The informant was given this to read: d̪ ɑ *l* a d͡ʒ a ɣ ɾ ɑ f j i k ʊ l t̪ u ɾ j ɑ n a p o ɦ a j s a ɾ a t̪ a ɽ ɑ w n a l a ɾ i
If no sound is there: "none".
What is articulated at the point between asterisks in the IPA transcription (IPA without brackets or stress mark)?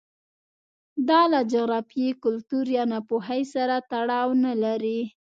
l